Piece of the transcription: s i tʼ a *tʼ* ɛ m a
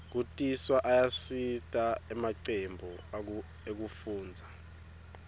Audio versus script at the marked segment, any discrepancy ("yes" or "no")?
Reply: yes